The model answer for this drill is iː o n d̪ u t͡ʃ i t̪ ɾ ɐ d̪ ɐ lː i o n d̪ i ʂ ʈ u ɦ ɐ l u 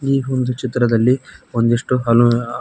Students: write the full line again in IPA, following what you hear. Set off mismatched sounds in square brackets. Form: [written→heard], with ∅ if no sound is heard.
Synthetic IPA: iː o n d̪ u t͡ʃ i t̪ ɾ ɐ d̪ ɐ lː i o n d̪ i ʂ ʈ u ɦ ɐ l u